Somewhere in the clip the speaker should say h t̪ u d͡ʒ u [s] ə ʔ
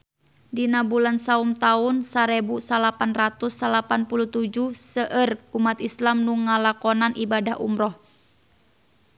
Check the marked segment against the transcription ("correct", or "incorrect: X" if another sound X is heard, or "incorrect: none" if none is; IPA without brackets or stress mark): correct